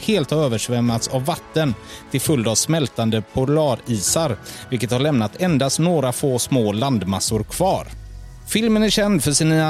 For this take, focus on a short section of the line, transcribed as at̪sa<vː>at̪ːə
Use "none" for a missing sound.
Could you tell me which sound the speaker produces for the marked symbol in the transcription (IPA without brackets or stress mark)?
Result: vː